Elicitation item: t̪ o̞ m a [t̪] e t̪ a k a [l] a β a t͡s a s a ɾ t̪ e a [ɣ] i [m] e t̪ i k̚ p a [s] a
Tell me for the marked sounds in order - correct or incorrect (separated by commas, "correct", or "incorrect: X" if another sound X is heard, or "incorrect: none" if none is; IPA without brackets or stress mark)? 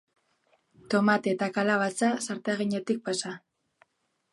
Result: correct, correct, correct, incorrect: ɲ, correct